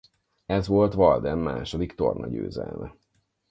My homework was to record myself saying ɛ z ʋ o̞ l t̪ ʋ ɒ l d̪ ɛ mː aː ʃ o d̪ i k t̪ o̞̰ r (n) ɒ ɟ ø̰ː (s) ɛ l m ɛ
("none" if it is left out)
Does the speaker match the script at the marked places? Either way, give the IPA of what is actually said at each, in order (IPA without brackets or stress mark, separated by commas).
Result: n, z